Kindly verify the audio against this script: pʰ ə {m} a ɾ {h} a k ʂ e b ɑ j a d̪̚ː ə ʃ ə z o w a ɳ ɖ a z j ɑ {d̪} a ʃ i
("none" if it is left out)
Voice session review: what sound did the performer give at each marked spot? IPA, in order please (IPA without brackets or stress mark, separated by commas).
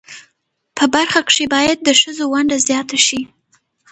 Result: b, x, t̪